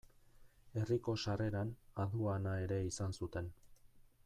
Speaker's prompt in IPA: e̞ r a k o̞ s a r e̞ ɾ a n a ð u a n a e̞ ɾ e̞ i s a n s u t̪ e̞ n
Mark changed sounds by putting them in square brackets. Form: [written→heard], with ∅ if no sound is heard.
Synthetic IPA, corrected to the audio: e̞ r [a→i] k o̞ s a r e̞ ɾ a n a ð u a n a e̞ ɾ e̞ i s a n s u t̪ e̞ n

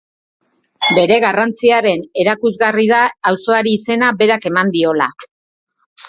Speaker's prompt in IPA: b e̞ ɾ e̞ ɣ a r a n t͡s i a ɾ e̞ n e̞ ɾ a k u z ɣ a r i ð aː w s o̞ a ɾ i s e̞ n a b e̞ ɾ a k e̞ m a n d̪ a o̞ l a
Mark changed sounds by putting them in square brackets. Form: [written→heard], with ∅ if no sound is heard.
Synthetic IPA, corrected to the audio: b e̞ ɾ e̞ ɣ a r a n t͡s i a ɾ e̞ n e̞ ɾ a k u z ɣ a r i ð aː w s o̞ a ɾ [i→iː] s e̞ n a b e̞ ɾ a k e̞ m a n d̪ [a→i] o̞ l a

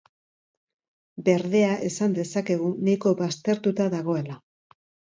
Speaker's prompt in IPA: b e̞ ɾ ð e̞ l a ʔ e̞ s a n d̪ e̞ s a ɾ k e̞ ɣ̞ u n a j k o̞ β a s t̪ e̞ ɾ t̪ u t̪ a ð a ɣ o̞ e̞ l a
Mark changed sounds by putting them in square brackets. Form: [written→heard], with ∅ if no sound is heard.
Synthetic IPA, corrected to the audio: b e̞ ɾ ð e̞ [l→∅] a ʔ e̞ s a n d̪ e̞ s a [ɾ→∅] k e̞ ɣ̞ u n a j k o̞ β a s t̪ e̞ ɾ t̪ u t̪ a ð a ɣ o̞ e̞ l a

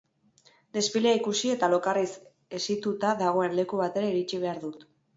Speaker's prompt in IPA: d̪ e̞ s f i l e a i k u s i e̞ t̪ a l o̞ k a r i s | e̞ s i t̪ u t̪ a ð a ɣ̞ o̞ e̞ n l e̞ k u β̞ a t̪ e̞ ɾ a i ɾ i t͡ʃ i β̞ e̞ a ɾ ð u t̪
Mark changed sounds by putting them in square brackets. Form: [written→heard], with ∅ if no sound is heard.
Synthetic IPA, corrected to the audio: d̪ e̞ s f i l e a i k u s i e̞ t̪ a l o̞ k a r i s | e̞ s i t̪ u t̪ a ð a ɣ̞ o̞ e̞ n l e̞ k u β̞ a t̪ e̞ ɾ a i ɾ i t͡ʃ i β̞ e̞ a ɾ ð u t̪

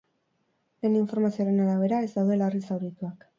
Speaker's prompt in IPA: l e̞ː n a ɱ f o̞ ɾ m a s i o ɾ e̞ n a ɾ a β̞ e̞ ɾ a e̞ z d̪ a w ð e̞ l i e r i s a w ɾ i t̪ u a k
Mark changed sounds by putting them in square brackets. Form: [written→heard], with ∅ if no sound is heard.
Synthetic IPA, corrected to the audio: l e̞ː n [a→i] ɱ f o̞ ɾ m a s i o ɾ e̞ n a ɾ a β̞ e̞ ɾ a e̞ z d̪ a w ð e̞ l [i→a] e r i s a w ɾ i t̪ u a k

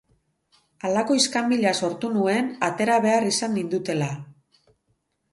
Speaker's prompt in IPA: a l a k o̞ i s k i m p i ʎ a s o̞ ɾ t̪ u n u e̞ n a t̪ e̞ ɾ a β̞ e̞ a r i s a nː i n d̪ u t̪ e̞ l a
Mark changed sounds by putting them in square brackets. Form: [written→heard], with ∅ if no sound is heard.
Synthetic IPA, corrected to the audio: a l a k o̞ i s k [i→a] m [p→b] i ʎ a s o̞ ɾ t̪ u n u e̞ n a t̪ e̞ ɾ a β̞ e̞ a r i s a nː i n d̪ u t̪ e̞ l a

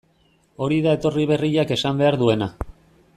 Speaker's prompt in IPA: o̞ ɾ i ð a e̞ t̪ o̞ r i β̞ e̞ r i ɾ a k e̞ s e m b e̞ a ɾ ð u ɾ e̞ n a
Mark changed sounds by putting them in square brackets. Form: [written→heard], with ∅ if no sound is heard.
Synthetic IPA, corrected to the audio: o̞ ɾ i ð a e̞ t̪ o̞ r i β̞ e̞ r i [ɾ→ʎ] a k e̞ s [e→a] m b e̞ a ɾ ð u [ɾ→∅] e̞ n a

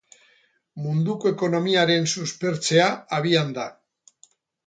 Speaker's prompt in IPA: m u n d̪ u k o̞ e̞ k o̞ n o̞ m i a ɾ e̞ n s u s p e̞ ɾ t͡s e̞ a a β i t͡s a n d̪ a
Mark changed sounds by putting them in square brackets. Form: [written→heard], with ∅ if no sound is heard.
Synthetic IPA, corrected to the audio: m u n d̪ u k o̞ e̞ k o̞ n o̞ m i a ɾ e̞ n s u s p e̞ ɾ t͡s e̞ a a β i [t͡s→∅] a n d̪ a

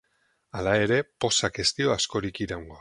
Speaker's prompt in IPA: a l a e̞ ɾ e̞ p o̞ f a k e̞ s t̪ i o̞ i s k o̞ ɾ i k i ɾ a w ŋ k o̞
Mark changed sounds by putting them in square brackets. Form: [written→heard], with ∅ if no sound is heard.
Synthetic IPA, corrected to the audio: a l a e̞ ɾ e̞ p o̞ [f→s] a k e̞ s t̪ i o̞ [i→a] s k o̞ ɾ i k i ɾ a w ŋ [k→ɡ] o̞

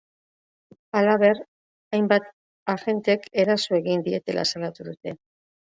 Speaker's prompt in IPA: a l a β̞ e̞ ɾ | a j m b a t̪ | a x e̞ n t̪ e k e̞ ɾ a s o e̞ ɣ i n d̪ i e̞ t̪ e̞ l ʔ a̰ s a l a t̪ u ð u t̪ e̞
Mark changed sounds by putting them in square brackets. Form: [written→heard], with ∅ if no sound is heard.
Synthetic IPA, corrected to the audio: a l a β̞ e̞ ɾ | a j m b a t̪ | a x e̞ n t̪ e k e̞ ɾ a s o e̞ ɣ i n d̪ i e̞ t̪ e̞ l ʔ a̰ s a l a t̪ u ð u t̪ e̞

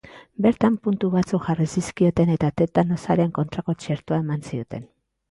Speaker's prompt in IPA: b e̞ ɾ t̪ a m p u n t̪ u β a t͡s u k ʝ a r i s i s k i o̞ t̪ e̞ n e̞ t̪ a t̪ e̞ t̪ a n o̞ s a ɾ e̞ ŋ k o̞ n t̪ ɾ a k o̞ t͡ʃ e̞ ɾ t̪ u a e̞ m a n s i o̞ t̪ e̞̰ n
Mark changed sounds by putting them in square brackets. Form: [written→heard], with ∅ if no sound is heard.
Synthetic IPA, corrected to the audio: b e̞ ɾ t̪ a m p u n t̪ u β a t͡s u k ʝ a r i s i s k i o̞ t̪ e̞ n e̞ t̪ a t̪ e̞ t̪ a n o̞ s a ɾ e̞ ŋ k o̞ n t̪ ɾ a k o̞ t͡ʃ e̞ ɾ t̪ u a e̞ m a n s i o̞ t̪ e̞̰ n

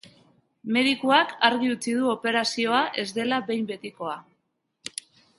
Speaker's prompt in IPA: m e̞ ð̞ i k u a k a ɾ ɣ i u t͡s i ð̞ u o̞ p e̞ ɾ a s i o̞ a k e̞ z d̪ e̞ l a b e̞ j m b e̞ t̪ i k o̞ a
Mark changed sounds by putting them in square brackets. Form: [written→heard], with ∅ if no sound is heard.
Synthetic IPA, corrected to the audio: m e̞ ð̞ i k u a k a ɾ ɣ i u t͡s i ð̞ u o̞ p e̞ ɾ a s i o̞ a [k→ʔ] e̞ z d̪ e̞ l a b e̞ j m b e̞ t̪ i k o̞ a

